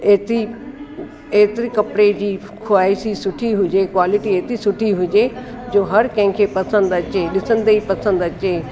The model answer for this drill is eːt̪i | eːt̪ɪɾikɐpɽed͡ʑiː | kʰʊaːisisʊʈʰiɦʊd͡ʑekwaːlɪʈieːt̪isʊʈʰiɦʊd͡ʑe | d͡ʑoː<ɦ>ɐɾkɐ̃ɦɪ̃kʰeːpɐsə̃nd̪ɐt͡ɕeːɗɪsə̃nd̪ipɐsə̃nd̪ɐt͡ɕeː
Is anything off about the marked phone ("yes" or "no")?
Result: no